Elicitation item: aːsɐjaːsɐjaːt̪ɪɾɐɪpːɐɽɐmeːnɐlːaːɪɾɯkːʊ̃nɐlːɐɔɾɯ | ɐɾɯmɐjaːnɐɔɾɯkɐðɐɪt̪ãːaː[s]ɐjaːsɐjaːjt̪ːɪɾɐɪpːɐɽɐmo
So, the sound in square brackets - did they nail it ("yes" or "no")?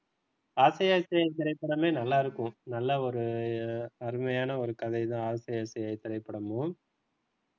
yes